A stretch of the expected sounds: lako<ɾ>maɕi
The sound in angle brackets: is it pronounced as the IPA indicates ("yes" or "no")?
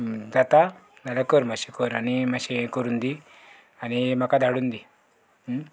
yes